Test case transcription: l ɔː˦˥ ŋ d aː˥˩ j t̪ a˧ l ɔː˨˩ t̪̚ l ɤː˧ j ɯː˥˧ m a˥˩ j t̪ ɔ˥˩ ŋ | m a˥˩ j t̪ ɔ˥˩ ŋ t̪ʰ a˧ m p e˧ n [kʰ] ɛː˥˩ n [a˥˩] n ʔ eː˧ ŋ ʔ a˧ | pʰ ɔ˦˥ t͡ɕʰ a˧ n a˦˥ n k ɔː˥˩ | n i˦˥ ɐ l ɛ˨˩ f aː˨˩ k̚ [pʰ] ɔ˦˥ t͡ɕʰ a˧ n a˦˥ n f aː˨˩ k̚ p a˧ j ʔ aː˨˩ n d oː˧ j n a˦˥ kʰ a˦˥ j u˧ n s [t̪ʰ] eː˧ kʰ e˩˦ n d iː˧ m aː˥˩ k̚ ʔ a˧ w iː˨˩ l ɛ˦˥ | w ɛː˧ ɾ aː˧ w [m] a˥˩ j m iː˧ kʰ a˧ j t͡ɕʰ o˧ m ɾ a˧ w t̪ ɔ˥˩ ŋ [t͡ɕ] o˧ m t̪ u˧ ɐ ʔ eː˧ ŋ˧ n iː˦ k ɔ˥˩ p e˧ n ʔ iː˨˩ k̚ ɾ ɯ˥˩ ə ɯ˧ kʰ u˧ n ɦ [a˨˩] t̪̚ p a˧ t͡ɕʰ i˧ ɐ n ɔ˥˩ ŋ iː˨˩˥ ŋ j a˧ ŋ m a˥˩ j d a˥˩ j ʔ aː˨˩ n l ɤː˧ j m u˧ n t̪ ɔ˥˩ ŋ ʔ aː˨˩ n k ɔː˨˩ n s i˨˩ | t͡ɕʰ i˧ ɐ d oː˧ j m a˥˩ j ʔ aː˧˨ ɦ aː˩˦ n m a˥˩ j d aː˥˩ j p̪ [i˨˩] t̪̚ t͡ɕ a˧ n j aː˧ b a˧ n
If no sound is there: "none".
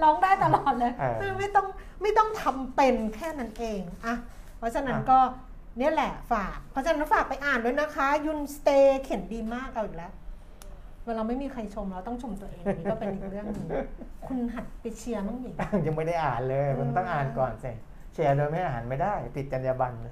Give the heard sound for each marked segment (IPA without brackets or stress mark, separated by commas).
kʰ, a˦˥, pʰ, t̪, m, t͡ɕʰ, a˨˩, i˨˩